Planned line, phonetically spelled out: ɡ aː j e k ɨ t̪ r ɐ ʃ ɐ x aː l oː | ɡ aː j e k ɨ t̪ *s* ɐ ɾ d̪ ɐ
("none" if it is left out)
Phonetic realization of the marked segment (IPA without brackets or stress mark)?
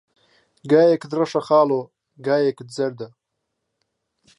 z